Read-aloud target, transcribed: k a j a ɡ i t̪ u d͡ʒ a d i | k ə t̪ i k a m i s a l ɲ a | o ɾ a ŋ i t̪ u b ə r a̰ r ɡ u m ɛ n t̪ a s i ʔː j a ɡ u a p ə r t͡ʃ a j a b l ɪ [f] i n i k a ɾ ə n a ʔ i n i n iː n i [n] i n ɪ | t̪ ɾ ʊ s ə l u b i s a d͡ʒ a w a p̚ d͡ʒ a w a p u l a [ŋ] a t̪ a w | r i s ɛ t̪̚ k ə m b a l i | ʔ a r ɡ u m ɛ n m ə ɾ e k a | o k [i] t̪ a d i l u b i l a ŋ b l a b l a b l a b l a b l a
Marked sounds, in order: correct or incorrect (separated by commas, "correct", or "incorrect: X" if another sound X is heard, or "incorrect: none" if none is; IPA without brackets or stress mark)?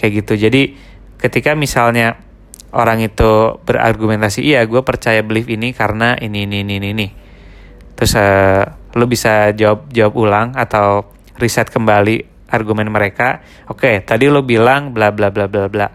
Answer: correct, correct, correct, incorrect: e